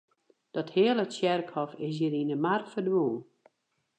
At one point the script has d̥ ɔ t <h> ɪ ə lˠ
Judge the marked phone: correct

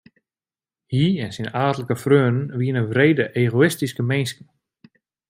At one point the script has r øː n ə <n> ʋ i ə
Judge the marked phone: correct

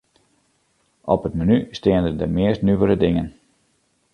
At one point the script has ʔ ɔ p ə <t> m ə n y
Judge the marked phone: correct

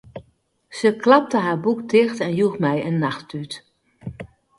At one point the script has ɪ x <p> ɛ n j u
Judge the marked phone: incorrect: t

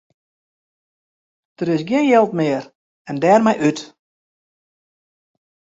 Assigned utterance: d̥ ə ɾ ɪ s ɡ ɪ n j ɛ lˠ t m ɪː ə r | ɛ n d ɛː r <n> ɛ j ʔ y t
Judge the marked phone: incorrect: m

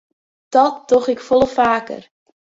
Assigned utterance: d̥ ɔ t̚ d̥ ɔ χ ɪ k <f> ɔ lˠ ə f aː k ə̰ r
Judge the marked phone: correct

